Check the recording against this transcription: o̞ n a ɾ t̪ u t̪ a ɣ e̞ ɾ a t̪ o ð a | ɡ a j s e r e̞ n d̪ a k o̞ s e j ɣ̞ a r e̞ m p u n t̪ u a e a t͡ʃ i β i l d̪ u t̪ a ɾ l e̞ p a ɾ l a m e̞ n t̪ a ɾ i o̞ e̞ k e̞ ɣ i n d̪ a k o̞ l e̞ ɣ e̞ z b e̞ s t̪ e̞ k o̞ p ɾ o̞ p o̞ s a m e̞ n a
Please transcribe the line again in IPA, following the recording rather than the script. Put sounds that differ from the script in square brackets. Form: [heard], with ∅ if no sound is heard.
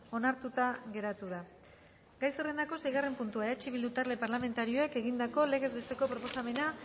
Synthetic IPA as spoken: o̞ n a ɾ t̪ u t̪ a ɣ e̞ ɾ a t̪ [u] ð a | ɡ a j s e r e̞ n d̪ a k o̞ s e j ɣ̞ a r e̞ m p u n t̪ u a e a t͡ʃ i β i l d̪ u t̪ a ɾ l e̞ p a ɾ l a m e̞ n t̪ a ɾ i o̞ e̞ k e̞ ɣ i n d̪ a k o̞ l e̞ ɣ e̞ z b e̞ s t̪ e̞ k o̞ p ɾ o̞ p o̞ s a m e̞ n a